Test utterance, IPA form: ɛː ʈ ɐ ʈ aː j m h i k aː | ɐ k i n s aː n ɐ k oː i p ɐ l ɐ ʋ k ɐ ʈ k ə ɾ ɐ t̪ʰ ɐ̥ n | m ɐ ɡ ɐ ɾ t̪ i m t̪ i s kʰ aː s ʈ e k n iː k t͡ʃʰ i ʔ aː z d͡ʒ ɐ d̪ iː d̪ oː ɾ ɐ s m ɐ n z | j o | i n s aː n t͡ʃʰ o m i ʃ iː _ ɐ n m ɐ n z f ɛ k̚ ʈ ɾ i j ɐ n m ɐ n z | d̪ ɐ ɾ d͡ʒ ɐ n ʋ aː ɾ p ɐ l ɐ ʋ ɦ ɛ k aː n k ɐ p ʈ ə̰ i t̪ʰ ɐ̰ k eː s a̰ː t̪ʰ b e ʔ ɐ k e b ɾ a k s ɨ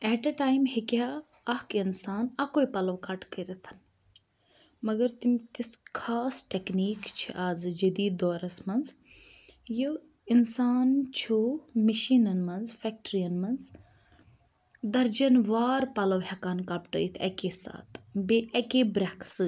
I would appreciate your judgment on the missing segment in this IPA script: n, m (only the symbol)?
n